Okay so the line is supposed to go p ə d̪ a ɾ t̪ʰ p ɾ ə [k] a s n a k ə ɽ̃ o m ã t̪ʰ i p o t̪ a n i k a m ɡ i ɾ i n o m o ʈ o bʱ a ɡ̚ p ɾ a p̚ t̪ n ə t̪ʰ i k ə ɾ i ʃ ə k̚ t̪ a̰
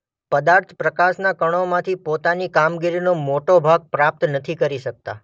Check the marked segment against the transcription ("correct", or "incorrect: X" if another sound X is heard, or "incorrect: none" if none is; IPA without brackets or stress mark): correct